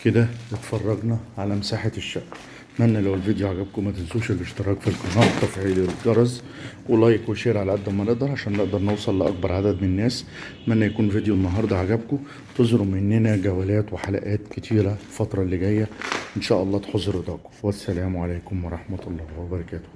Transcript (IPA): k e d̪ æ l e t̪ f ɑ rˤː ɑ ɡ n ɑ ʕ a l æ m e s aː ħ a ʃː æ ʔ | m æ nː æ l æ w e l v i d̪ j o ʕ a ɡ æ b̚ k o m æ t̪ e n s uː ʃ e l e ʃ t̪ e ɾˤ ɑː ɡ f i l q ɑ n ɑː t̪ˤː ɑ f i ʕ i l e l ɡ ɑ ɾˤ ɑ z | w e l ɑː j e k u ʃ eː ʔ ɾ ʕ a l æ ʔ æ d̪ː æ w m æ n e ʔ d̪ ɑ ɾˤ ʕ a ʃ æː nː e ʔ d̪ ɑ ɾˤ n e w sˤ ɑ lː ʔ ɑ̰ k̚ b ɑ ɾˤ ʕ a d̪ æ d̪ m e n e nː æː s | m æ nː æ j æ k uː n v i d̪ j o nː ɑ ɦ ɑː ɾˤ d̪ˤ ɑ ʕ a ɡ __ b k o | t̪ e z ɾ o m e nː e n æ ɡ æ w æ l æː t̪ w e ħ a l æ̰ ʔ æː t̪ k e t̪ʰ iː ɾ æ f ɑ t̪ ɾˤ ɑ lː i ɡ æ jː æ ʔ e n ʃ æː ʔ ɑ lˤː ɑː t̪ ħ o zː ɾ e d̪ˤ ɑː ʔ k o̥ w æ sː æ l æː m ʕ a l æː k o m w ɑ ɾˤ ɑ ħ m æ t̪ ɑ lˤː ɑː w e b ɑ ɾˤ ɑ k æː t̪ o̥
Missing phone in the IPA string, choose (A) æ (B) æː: A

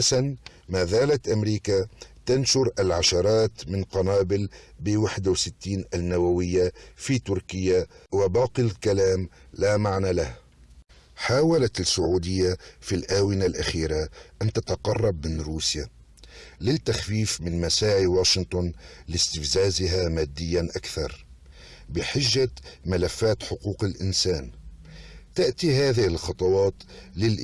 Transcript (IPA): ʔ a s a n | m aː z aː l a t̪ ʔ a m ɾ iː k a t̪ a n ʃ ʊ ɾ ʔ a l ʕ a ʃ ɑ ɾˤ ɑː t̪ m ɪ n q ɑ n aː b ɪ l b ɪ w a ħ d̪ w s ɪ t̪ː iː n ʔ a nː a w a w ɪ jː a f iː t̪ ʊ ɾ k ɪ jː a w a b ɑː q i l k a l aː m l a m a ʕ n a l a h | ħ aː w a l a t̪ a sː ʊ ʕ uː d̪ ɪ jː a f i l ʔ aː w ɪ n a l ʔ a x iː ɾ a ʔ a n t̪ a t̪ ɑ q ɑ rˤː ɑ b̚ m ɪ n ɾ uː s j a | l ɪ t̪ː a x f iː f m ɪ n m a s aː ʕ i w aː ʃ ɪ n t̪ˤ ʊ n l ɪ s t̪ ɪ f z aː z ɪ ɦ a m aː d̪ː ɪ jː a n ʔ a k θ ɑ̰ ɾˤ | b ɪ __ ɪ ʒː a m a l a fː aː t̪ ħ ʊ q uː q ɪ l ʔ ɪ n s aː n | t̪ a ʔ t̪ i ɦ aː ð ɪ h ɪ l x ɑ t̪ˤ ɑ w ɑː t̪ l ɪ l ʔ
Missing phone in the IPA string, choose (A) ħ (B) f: A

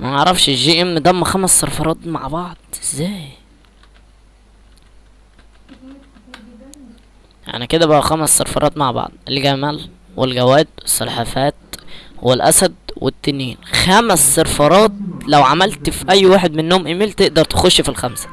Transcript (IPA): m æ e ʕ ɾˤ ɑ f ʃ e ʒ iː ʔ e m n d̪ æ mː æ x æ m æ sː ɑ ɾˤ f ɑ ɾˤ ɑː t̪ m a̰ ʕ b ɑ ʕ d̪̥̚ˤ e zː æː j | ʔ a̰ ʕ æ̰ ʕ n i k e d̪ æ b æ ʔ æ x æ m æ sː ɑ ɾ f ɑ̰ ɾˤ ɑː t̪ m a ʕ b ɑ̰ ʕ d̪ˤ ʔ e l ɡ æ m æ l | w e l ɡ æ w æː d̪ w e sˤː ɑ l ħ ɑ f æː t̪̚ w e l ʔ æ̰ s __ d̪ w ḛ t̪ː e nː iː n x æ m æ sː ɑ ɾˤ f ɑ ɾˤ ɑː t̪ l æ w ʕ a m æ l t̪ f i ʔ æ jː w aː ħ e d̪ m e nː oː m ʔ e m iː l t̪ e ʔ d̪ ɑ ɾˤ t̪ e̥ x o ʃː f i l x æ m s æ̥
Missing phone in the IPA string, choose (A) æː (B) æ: B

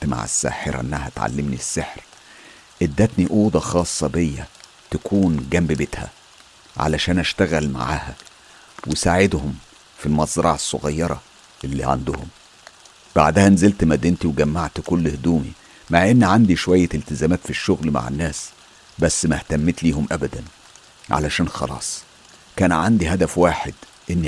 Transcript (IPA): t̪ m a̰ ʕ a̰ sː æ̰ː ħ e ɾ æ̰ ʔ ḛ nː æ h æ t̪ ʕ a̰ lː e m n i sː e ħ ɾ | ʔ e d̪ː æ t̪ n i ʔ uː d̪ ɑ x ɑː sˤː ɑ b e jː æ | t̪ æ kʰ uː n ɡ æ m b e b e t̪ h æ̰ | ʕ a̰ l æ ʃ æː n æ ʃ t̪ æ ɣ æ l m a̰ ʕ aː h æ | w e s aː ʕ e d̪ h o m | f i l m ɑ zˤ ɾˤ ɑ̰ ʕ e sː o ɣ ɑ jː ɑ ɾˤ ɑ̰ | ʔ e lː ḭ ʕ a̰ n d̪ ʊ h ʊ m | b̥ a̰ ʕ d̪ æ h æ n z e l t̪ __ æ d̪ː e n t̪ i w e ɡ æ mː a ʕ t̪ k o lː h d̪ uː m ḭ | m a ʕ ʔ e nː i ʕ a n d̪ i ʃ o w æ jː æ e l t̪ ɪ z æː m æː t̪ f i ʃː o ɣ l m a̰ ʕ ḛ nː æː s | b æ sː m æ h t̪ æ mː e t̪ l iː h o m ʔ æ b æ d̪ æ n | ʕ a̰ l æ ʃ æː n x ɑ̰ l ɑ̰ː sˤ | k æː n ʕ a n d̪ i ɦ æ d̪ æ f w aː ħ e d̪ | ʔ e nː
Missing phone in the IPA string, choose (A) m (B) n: A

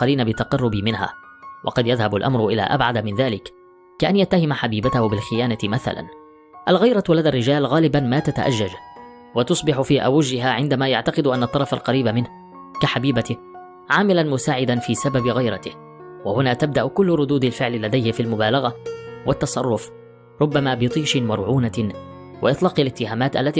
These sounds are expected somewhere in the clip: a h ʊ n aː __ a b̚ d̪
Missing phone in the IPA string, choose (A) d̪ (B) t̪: B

